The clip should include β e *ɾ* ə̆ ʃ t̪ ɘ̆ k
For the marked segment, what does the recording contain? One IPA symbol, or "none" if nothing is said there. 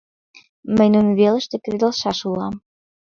l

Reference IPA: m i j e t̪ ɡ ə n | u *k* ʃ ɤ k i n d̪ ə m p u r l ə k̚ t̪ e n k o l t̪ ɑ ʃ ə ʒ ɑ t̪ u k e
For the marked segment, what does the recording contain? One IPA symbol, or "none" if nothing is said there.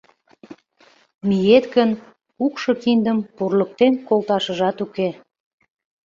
k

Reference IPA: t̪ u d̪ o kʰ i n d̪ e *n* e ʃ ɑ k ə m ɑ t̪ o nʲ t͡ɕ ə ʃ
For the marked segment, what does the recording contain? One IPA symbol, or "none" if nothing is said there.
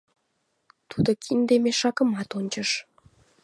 m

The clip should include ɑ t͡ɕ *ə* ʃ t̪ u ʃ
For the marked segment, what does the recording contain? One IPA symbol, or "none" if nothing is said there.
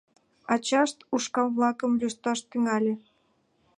ɑ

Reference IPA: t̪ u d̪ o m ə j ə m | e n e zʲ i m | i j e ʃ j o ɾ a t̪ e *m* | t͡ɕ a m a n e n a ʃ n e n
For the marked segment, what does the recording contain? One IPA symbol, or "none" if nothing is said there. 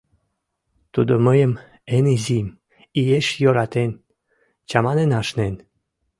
n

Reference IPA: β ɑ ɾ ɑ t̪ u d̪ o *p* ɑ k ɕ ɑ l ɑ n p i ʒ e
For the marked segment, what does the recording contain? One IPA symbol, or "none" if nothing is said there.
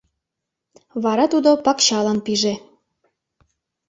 p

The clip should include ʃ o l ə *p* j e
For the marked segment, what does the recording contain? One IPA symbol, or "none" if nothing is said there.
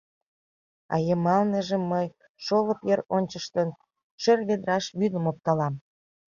p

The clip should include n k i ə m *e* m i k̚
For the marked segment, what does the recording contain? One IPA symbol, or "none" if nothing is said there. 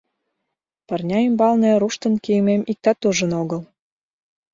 e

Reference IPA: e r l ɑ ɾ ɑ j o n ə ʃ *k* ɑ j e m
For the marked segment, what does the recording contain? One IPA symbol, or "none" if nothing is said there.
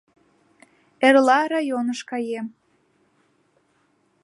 k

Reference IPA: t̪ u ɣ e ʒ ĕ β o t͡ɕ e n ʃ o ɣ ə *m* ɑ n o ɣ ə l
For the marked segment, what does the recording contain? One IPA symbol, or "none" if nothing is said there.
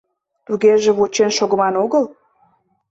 m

